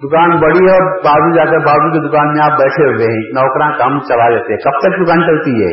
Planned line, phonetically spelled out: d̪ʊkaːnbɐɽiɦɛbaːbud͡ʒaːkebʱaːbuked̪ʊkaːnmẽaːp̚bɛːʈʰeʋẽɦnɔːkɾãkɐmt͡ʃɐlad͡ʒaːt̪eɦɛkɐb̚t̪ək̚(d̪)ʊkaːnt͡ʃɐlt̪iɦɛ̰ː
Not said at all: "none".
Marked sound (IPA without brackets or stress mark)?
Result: d̪